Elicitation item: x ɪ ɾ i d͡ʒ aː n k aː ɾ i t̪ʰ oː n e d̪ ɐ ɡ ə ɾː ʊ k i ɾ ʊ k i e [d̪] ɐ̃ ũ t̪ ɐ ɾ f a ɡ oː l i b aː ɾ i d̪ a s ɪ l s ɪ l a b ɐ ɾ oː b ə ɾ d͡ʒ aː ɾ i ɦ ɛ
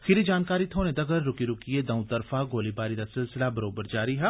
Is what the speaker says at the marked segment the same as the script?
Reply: yes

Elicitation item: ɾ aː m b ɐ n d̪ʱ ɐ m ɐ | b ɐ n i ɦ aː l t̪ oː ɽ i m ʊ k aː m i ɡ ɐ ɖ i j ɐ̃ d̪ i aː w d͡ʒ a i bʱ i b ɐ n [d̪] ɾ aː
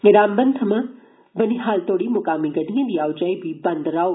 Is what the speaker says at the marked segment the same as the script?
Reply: yes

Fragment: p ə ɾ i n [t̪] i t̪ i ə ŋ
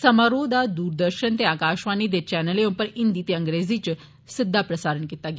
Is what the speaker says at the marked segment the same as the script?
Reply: no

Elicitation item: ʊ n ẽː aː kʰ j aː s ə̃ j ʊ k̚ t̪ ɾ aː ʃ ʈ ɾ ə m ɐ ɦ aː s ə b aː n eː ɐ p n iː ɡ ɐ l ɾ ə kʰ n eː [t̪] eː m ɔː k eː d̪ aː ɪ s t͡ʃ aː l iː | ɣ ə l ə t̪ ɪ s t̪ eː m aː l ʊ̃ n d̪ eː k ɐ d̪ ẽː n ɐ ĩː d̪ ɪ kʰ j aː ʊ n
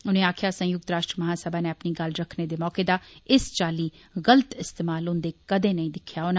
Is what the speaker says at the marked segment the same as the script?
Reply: no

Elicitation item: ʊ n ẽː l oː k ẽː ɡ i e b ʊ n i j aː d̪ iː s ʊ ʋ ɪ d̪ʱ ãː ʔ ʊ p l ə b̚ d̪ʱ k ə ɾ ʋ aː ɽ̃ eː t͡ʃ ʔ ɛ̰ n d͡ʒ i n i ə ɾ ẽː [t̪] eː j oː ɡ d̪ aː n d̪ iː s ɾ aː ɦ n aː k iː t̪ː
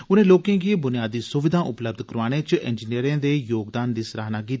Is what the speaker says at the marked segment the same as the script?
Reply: no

